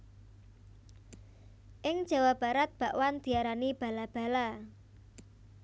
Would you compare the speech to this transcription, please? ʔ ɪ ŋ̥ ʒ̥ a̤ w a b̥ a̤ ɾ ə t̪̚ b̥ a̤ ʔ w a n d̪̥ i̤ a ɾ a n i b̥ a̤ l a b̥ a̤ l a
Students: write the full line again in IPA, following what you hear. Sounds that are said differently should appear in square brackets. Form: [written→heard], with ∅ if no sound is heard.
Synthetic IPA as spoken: ʔ ɪ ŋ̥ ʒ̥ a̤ w a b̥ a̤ ɾ [ə→a] t̪̚ b̥ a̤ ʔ w a n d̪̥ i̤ a ɾ a n i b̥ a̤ l a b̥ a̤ l a